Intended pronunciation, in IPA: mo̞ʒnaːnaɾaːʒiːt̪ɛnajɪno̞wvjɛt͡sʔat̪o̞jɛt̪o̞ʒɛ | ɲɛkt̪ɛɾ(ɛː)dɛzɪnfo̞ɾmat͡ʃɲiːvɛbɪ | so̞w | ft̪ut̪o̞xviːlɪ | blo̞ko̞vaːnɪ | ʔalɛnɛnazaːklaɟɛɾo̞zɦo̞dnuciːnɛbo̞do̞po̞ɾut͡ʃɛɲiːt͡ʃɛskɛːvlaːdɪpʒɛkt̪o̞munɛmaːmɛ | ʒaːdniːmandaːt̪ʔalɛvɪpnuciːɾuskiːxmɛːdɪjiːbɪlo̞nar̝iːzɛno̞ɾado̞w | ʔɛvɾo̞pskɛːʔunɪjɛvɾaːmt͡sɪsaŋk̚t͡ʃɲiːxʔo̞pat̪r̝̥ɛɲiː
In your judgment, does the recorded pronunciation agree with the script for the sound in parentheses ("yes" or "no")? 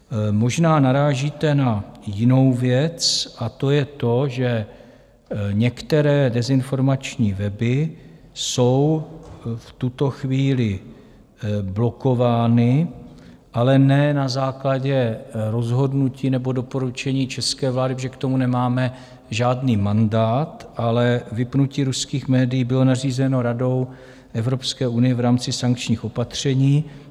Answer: yes